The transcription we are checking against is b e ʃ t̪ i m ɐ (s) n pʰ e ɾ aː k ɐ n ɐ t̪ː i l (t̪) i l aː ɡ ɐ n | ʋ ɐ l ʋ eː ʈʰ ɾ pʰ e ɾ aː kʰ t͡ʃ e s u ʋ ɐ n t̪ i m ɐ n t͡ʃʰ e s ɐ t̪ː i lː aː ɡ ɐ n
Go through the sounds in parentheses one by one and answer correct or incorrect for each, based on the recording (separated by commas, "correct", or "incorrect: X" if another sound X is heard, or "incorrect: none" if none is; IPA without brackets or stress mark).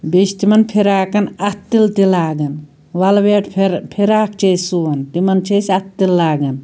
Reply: incorrect: none, correct